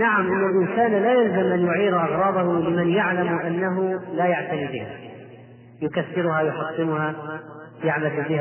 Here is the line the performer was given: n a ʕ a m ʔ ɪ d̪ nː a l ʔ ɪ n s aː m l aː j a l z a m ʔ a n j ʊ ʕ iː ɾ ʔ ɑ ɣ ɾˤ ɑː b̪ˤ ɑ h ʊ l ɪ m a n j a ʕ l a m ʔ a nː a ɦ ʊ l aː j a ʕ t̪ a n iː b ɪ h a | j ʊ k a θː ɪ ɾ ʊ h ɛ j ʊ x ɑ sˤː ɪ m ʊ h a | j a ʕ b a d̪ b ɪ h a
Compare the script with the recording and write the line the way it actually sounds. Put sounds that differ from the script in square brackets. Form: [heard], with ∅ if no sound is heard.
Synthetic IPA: n a ʕ a m ʔ ɪ [∅] nː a l ʔ ɪ n s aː [n] l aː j a l z a m ʔ a n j ʊ ʕ iː ɾ ʔ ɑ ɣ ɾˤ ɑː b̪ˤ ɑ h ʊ l ɪ m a n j a ʕ l a m ʔ a nː a ɦ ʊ l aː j a ʕ t̪ a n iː b ɪ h a | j ʊ k a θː ɪ ɾ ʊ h [a] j ʊ [ħ] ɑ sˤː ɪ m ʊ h a | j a ʕ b a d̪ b ɪ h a